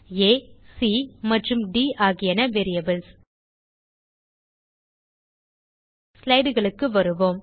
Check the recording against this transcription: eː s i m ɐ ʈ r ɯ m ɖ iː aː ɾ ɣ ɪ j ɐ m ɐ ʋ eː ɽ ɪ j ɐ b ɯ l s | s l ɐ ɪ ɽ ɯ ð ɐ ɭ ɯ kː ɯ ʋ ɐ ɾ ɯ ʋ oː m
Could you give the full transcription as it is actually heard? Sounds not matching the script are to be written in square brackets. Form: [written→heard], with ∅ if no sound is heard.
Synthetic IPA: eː s i m ɐ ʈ r ɯ m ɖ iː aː [ɾ→∅] ɣ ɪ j ɐ [m→n] ɐ ʋ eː [ɽ→ɾ] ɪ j ɐ b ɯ l s | s l ɐ ɪ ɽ ɯ [ð→ɣ] ɐ ɭ ɯ kː ɯ ʋ ɐ ɾ ɯ ʋ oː m